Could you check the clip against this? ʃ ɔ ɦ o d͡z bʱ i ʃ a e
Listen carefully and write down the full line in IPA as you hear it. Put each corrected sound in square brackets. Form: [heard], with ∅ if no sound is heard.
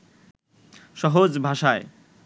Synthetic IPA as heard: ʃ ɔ ɦ o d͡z bʱ [a] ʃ a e

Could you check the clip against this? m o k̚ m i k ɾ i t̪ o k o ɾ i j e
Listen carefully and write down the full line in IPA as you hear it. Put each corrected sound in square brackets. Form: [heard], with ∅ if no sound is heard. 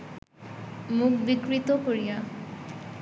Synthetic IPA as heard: m [u] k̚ [b] i k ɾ i t̪ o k o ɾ i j [a]

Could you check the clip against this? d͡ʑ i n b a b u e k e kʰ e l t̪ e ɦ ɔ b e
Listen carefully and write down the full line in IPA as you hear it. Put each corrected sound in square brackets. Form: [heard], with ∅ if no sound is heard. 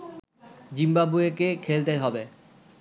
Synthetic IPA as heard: d͡ʑ i [m] b a b u e k e kʰ e l t̪ e ɦ ɔ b e

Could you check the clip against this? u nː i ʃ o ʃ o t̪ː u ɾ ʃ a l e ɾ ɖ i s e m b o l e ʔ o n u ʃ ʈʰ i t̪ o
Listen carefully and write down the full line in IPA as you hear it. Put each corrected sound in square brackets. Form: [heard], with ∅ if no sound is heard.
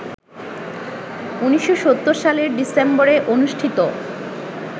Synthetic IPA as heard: u [n] i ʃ o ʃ o t̪ː [o] ɾ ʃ a l e ɾ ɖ i s e m b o [ɾ] e ʔ o n u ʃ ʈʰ i t̪ o

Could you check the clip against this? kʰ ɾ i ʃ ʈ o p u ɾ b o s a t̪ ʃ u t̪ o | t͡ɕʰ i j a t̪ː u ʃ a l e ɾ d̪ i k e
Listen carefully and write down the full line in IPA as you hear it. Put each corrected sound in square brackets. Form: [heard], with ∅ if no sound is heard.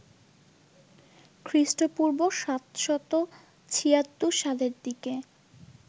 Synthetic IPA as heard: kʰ ɾ i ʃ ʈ o p u ɾ b o [ʃ] a t̪ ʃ [ɔ] t̪ o | t͡ɕʰ i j a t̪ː u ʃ a l e ɾ d̪ i k e

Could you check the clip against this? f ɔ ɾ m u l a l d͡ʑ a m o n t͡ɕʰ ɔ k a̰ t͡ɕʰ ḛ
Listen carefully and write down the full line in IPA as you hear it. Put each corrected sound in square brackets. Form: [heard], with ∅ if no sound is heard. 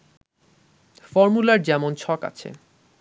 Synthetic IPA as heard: f ɔ ɾ m u l a [ɾ] d͡ʑ [ɛ] m o n t͡ɕʰ ɔ k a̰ t͡ɕʰ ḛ

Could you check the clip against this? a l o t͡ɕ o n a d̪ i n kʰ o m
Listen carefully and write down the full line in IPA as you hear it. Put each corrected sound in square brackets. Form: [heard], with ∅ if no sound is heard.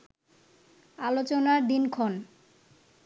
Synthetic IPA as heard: a l o t͡ɕ o n a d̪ i n kʰ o [n]

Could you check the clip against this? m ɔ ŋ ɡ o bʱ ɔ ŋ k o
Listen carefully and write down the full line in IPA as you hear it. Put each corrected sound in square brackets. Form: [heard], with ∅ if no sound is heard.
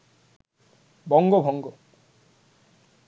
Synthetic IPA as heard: [b] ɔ ŋ ɡ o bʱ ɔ ŋ [ɡ] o

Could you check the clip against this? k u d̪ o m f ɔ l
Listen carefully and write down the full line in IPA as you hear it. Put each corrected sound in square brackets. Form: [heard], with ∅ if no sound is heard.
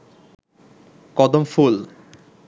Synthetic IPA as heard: k [ɔ] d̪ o m f [u] l

